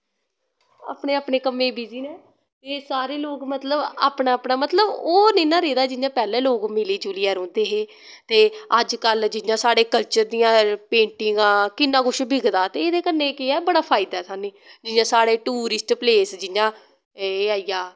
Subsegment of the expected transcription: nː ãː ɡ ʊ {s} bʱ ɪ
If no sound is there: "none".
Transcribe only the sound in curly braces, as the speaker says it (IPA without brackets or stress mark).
ʃ